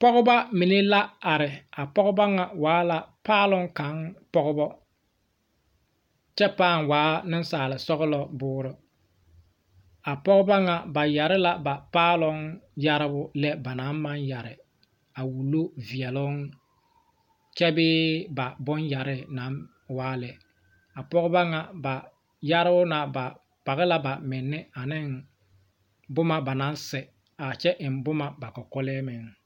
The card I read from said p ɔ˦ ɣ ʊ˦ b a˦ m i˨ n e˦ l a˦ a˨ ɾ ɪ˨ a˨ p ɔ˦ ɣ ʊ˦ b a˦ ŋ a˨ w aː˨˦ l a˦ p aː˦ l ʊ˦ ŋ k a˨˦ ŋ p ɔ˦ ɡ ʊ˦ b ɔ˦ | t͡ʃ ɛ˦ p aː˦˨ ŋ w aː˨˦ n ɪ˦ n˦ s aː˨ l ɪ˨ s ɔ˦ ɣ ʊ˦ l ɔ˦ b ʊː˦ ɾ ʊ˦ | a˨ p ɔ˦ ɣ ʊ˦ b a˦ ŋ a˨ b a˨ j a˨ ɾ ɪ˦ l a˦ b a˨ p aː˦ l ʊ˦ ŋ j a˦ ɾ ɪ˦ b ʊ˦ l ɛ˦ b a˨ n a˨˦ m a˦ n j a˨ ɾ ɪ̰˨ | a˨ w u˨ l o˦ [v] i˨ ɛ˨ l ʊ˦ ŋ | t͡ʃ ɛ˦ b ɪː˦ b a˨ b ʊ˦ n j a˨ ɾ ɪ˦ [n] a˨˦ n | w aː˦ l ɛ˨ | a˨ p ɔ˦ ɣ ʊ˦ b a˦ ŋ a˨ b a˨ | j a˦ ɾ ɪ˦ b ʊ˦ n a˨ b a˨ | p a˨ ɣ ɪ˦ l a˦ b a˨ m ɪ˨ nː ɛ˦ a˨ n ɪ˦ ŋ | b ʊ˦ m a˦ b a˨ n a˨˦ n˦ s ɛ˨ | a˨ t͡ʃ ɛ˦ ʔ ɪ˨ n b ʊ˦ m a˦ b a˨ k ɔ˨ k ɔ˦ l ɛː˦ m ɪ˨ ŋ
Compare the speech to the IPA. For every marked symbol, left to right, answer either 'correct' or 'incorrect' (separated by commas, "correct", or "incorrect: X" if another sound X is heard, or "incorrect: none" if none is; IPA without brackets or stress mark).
correct, correct